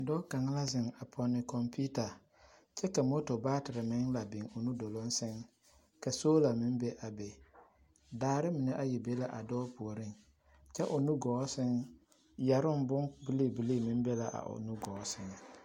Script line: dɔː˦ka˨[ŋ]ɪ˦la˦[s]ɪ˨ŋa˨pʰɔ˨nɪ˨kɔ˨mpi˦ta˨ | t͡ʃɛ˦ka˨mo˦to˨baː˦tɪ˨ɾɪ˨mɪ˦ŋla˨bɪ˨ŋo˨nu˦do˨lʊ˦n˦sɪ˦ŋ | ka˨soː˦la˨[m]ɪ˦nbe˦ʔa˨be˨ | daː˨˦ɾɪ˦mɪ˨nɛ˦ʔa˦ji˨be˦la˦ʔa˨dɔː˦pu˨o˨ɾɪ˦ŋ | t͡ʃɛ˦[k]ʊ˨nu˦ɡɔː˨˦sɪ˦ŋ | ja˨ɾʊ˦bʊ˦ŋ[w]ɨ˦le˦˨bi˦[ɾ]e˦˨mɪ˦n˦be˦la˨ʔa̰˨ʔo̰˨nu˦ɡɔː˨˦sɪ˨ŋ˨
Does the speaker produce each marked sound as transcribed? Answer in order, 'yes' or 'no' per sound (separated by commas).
yes, no, yes, no, no, no